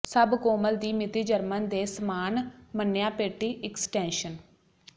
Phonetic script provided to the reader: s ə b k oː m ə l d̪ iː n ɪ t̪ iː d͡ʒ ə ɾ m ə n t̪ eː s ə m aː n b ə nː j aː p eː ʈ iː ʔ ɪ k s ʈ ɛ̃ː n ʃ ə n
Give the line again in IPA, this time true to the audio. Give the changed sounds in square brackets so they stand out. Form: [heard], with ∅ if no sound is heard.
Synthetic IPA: s ə b k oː m ə l d̪ iː [m] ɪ t̪ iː d͡ʒ ə ɾ m ə n [d̪] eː s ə m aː n [m] ə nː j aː p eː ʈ iː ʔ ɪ k s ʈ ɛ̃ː n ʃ ə n